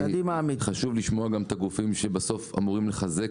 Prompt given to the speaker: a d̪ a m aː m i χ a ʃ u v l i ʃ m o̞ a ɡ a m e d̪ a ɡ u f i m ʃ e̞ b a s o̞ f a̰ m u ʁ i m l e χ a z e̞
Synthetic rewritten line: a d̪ i m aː m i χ a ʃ u v l i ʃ m o̞ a ɡ a m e t̪ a ɡ u f i m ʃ e̞ b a s o̞ f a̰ m u ʁ i m l e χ a z e̞